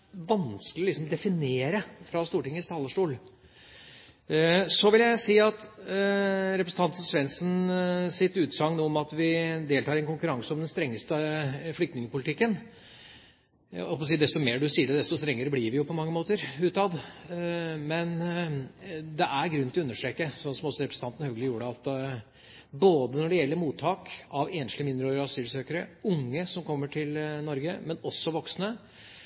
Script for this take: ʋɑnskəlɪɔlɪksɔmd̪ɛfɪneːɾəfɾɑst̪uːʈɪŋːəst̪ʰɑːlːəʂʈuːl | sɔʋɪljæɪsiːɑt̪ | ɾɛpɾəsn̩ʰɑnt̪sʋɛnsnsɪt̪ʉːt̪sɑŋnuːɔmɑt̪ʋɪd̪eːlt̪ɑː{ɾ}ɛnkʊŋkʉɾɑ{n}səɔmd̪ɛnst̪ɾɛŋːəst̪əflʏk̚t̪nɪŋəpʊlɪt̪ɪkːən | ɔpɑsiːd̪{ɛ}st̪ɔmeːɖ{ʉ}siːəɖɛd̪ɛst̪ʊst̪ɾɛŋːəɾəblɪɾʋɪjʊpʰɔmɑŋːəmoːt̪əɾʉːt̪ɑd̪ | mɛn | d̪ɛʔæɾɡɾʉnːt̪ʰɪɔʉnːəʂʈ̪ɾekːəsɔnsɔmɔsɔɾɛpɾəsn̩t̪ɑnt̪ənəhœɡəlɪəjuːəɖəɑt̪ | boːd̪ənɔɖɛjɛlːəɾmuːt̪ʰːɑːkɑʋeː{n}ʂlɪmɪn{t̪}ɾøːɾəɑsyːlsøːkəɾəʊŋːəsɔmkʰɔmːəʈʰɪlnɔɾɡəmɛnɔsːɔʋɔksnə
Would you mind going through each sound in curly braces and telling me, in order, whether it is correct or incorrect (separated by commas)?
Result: correct, incorrect, correct, correct, correct, incorrect